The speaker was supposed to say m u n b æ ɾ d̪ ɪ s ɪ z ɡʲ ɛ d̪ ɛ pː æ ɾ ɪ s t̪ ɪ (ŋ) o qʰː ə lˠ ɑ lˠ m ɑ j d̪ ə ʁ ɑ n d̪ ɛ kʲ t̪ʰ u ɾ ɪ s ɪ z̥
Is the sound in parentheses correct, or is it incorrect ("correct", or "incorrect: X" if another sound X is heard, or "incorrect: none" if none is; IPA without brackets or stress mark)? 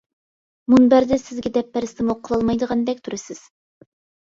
incorrect: m